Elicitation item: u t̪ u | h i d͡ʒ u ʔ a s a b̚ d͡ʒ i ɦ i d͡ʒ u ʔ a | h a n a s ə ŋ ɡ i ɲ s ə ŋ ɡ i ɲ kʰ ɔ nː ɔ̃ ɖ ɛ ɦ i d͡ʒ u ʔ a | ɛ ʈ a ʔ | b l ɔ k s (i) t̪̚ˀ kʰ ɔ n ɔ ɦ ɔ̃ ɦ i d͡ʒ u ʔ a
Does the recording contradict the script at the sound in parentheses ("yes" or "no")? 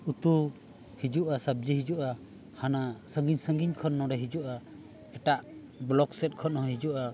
yes